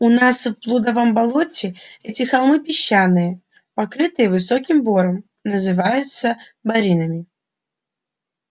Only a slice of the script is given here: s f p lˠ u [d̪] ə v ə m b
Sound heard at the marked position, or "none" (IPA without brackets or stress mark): d̪